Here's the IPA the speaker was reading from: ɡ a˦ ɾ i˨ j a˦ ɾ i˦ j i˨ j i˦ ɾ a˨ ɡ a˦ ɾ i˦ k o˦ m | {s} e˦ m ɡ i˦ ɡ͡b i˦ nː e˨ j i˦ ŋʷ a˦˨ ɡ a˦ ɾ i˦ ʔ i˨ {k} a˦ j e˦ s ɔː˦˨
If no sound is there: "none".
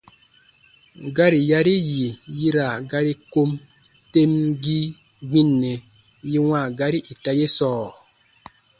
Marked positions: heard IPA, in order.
t, t

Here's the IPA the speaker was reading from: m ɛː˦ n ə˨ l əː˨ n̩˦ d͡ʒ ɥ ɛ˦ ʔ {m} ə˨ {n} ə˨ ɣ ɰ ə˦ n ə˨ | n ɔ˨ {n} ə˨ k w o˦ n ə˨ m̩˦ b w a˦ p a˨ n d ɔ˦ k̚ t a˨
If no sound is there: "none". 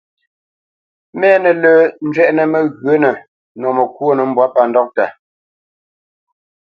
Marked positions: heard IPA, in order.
n, m, m

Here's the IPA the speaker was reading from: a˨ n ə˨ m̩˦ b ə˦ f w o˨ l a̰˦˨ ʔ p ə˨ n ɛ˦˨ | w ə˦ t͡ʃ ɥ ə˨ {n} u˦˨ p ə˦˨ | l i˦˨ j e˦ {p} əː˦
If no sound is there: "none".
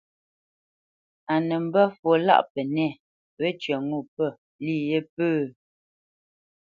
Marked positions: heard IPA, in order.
ŋ, p

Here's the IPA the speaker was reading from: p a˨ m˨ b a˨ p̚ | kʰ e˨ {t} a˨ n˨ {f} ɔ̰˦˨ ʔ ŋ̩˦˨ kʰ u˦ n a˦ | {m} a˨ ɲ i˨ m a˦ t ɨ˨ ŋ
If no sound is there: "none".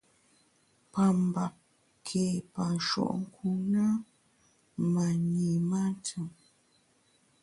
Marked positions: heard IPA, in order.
p, ʃ, m

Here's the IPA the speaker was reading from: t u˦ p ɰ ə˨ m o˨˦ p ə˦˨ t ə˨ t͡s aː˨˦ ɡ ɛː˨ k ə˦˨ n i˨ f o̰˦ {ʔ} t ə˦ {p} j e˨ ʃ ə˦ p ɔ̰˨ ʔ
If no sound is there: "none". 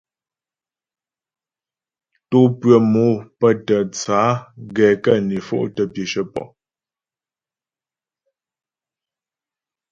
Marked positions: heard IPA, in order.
ʔ, p

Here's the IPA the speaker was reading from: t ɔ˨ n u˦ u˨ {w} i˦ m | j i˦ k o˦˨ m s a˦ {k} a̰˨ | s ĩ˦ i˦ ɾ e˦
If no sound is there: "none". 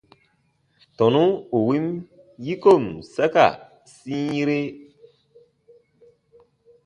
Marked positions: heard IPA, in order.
w, k

